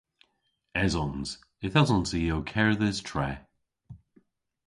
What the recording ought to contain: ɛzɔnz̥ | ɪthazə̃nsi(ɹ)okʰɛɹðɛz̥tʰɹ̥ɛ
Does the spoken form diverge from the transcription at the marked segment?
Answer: yes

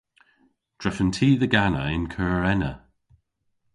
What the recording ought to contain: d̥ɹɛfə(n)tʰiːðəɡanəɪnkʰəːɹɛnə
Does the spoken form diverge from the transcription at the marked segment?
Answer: no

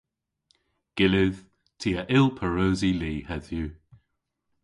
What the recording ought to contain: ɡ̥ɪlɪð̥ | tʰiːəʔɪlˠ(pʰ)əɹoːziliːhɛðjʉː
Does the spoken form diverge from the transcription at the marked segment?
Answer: no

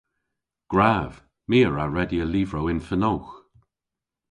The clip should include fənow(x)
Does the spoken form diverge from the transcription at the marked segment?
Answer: no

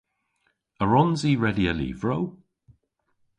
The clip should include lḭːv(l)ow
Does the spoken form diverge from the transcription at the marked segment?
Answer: yes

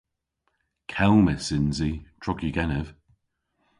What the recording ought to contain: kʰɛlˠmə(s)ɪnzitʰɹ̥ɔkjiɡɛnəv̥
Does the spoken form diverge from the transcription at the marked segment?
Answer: no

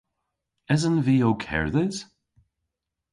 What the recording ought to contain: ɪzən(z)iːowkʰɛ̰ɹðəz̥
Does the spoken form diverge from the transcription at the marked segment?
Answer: yes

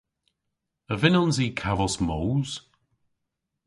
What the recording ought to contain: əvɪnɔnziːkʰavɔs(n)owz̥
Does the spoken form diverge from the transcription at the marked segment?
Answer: yes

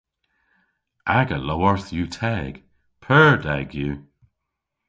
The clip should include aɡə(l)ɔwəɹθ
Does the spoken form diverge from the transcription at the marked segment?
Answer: no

